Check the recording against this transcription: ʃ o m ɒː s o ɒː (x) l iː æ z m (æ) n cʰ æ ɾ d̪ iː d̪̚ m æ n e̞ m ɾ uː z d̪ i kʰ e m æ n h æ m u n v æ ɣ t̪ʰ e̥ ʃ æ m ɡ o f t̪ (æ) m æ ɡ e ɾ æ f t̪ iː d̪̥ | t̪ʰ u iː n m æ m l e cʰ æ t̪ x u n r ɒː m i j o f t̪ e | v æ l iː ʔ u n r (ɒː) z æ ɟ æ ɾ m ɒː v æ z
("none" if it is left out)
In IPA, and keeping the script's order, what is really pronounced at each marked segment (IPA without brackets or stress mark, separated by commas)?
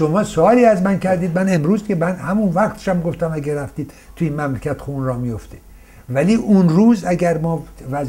none, æ, æ, uː